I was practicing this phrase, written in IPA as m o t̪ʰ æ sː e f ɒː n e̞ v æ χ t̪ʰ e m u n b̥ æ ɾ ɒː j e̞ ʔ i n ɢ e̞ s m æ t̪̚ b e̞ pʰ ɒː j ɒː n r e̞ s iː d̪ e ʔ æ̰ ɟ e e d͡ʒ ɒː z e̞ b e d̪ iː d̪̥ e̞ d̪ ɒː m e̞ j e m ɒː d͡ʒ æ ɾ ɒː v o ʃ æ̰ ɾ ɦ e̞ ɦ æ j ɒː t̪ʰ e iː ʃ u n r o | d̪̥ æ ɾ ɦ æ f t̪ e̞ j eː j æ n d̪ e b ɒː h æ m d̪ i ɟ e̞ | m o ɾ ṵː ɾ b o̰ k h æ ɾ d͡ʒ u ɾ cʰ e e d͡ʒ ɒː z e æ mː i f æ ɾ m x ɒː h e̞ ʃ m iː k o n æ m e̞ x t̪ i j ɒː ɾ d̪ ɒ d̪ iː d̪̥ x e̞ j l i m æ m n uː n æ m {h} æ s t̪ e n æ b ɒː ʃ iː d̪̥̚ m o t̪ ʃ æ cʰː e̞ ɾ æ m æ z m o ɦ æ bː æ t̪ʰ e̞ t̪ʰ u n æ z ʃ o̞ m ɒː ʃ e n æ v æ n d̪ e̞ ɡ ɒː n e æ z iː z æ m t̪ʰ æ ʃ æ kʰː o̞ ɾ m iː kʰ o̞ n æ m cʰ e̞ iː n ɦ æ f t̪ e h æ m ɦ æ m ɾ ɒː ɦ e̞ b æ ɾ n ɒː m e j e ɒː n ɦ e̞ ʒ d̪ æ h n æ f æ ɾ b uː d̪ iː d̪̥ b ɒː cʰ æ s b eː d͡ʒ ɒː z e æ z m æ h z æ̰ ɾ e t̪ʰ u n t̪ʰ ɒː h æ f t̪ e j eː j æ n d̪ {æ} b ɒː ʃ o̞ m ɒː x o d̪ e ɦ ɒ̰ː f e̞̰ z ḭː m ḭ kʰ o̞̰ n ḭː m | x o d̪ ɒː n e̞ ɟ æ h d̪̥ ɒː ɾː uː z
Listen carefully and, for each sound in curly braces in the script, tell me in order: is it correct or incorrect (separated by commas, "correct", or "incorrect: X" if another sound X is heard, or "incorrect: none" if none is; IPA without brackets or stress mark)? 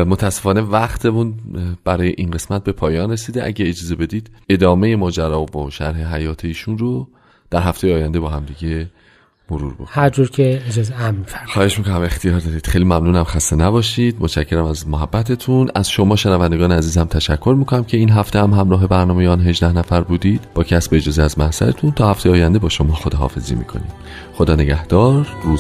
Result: incorrect: x, incorrect: e